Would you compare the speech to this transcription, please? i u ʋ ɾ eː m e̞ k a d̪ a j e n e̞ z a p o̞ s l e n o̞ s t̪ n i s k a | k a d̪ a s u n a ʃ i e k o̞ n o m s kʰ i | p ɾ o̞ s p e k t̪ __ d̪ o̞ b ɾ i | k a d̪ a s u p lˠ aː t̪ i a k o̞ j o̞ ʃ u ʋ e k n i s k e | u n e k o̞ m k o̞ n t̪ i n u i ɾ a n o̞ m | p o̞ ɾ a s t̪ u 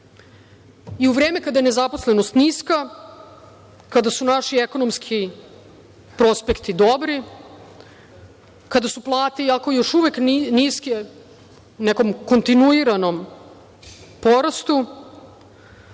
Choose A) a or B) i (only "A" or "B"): B